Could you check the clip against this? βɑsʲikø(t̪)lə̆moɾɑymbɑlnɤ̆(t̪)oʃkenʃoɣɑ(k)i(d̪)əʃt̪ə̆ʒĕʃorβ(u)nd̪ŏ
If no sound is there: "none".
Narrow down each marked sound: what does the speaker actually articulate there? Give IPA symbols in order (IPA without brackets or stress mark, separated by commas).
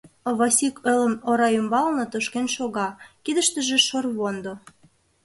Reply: none, t̪, k, d̪, o